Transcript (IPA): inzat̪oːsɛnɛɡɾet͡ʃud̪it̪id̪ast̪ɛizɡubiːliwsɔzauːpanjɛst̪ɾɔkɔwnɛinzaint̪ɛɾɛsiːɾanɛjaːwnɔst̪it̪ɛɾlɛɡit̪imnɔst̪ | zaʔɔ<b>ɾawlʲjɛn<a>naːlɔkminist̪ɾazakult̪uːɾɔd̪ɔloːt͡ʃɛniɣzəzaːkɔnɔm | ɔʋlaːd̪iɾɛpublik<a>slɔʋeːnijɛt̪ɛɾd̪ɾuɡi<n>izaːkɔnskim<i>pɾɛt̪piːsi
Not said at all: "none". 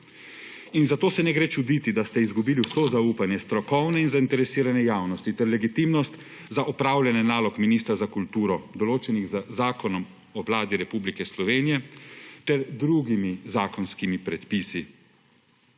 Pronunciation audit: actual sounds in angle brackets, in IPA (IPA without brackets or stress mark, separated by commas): p, ɛ, ɛ, m, i